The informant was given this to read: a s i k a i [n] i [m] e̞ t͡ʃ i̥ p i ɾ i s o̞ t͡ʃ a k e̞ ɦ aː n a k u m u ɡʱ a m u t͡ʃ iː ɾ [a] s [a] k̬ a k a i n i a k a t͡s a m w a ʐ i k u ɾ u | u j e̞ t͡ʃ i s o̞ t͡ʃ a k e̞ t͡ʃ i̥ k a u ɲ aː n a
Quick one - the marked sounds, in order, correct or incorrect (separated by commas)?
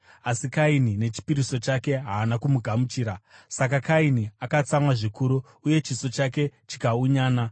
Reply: correct, incorrect, correct, correct